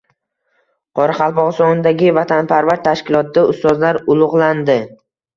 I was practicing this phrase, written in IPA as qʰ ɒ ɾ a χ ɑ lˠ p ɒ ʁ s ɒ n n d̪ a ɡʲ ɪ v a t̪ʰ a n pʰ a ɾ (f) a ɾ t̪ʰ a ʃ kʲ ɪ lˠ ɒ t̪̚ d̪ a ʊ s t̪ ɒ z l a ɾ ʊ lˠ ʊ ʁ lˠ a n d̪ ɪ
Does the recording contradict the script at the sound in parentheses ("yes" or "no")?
yes